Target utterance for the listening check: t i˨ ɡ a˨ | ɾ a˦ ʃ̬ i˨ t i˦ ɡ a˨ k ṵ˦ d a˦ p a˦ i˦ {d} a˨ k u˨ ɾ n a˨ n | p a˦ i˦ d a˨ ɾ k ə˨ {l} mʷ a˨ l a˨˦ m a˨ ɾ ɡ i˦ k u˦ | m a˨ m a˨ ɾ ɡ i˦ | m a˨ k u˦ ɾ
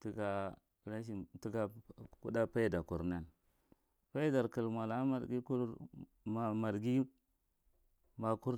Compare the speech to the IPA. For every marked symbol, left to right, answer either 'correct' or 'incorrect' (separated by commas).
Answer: correct, correct